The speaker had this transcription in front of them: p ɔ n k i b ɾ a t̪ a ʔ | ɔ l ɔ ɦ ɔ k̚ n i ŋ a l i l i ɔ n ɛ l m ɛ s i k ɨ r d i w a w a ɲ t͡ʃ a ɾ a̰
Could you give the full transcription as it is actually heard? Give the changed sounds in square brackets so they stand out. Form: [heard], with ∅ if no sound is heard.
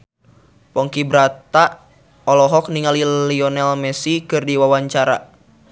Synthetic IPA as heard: p ɔ [ŋ] k i b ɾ a t̪ a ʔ | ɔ l ɔ ɦ ɔ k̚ n i ŋ a l i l i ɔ n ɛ l m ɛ s i k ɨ r d i w a w a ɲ t͡ʃ a ɾ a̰